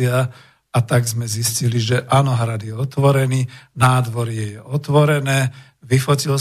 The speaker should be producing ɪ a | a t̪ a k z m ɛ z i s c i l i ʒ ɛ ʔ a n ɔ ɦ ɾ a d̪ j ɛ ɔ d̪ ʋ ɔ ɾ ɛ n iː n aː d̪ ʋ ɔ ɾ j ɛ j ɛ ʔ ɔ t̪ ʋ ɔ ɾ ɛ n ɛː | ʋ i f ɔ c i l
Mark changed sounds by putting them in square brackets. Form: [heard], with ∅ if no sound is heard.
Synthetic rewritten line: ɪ a | a t̪ a [ɡ] z m ɛ z i s c i l i ʒ ɛ ʔ a n ɔ ɦ ɾ a d̪ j ɛ ɔ [t̪] ʋ ɔ ɾ ɛ n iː n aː d̪ ʋ ɔ ɾ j ɛ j ɛ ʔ ɔ t̪ ʋ ɔ ɾ ɛ n ɛː | ʋ i f ɔ c i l